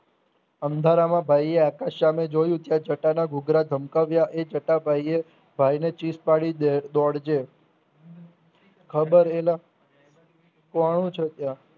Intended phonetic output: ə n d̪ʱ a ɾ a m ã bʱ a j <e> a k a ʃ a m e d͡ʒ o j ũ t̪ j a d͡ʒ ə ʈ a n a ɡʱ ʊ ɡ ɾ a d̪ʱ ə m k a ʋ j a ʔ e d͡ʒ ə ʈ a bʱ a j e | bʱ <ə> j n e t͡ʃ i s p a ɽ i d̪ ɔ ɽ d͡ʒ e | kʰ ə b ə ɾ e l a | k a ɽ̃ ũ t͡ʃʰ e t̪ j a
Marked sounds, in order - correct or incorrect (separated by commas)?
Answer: correct, incorrect